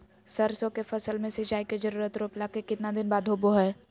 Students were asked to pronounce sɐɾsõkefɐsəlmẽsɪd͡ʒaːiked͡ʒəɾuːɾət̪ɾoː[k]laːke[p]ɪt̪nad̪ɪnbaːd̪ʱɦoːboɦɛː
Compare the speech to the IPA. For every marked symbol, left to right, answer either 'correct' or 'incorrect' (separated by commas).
incorrect, incorrect